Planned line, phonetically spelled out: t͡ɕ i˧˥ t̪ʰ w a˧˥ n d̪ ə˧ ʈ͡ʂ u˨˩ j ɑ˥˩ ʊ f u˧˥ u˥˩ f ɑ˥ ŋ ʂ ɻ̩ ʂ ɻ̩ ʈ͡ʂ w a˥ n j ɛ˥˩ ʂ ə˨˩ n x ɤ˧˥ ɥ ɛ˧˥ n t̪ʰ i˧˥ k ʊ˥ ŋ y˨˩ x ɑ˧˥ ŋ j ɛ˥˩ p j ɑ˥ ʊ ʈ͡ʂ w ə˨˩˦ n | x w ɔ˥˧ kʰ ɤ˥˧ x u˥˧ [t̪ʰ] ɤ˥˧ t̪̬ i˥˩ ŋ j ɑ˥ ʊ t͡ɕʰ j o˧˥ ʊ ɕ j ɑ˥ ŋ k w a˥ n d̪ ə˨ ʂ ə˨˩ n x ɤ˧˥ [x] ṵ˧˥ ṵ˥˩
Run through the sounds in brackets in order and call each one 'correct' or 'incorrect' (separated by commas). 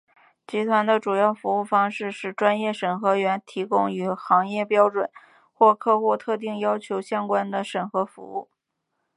correct, incorrect